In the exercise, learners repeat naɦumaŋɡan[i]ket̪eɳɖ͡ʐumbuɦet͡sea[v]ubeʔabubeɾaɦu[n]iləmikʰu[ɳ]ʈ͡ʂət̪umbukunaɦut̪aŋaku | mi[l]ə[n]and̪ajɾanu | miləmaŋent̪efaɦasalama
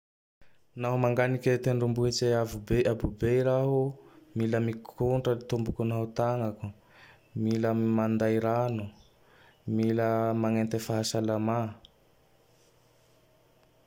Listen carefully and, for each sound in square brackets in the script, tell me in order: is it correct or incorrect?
correct, correct, incorrect, correct, correct, incorrect

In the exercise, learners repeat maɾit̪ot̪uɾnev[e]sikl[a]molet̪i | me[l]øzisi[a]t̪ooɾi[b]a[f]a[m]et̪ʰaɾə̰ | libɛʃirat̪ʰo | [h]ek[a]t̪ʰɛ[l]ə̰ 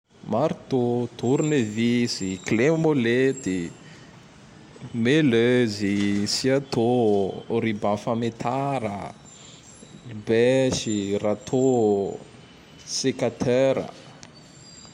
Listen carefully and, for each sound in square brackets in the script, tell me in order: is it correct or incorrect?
incorrect, incorrect, correct, correct, correct, correct, correct, incorrect, correct, incorrect

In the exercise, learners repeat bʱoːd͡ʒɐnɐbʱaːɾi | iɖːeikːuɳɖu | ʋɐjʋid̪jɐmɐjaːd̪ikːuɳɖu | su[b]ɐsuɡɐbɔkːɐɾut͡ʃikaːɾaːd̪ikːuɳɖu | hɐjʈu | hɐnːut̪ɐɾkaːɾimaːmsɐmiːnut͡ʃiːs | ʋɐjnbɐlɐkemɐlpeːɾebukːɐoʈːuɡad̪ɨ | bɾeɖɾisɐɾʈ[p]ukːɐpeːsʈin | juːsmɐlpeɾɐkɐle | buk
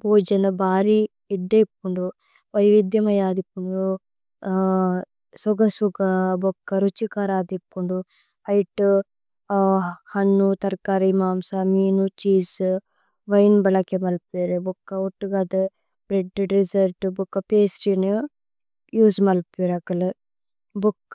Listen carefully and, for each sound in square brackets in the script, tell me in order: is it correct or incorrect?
incorrect, incorrect

